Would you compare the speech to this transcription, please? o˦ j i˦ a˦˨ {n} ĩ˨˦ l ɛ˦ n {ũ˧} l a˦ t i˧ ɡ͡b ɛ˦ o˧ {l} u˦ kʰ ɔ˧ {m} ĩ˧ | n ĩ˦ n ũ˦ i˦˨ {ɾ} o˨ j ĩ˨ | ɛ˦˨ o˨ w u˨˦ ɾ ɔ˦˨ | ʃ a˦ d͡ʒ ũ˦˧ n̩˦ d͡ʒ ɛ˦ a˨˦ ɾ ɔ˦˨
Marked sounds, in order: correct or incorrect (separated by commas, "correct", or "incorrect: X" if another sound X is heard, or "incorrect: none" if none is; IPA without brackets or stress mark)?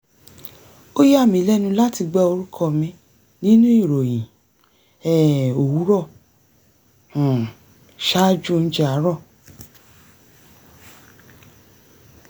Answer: incorrect: m, correct, incorrect: ɾ, correct, correct